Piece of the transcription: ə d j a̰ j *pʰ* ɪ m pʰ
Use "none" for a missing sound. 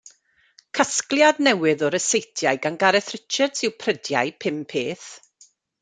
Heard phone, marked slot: pʰ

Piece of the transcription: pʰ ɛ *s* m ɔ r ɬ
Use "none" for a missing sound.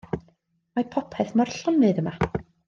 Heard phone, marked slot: θ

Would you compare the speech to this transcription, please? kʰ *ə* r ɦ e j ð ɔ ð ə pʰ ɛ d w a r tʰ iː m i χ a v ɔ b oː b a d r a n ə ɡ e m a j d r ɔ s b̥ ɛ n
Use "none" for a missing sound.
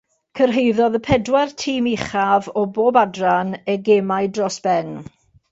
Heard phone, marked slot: ə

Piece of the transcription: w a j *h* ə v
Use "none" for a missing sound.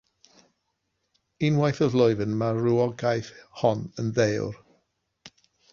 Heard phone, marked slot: θ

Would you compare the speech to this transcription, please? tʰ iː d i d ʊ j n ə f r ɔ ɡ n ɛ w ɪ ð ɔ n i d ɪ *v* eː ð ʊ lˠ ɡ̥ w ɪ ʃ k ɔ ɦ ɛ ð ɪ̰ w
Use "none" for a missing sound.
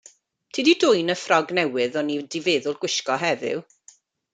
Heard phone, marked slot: v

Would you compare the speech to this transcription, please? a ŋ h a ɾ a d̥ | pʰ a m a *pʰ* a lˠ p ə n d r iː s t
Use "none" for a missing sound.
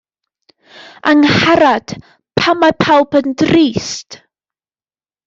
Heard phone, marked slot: pʰ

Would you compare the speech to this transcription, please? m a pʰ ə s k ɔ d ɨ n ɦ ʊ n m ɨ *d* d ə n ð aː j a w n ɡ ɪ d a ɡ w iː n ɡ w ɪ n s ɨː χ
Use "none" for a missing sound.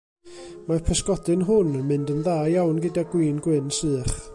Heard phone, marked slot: n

